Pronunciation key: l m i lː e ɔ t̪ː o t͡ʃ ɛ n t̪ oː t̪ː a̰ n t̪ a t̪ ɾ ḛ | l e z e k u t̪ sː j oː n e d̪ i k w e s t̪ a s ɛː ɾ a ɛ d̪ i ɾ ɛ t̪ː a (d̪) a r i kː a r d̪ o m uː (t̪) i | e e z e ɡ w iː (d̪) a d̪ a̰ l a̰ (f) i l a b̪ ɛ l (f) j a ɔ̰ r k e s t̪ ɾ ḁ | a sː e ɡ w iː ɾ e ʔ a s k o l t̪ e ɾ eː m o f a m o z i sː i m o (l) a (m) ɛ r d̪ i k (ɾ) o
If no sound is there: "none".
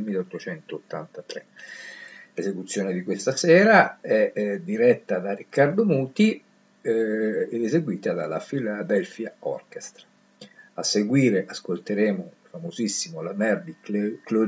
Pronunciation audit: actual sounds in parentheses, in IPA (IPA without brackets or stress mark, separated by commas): d̪, t̪, t̪, f, f, l, m, l